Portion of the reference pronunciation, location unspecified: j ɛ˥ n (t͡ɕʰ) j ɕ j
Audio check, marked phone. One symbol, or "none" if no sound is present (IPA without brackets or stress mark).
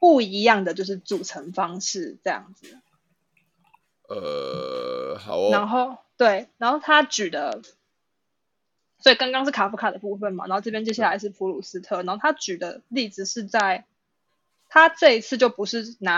t͡ɕ